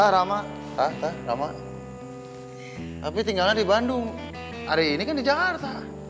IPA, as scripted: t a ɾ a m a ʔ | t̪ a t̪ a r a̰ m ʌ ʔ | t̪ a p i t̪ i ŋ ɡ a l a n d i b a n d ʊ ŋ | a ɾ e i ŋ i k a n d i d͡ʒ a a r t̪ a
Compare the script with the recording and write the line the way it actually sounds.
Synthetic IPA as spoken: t a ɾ a m a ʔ | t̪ a t̪ a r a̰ m a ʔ | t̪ a p i t̪ i ŋ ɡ a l a n d i b a n d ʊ ŋ | a ɾ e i n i k a n d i d͡ʒ a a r t̪ a